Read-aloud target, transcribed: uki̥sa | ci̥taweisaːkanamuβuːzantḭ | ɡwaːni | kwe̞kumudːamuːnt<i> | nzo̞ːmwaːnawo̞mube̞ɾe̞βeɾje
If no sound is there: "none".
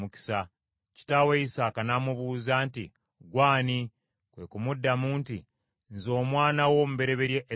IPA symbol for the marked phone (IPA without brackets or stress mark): i